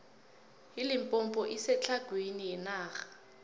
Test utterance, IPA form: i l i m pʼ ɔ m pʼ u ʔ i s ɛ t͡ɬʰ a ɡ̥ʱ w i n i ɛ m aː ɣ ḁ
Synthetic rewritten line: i l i m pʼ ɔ m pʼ ɔ ʔ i s ɛ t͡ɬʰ a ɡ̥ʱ w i n i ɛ n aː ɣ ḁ